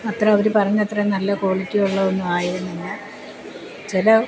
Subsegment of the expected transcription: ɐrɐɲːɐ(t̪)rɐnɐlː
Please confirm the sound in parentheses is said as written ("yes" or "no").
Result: yes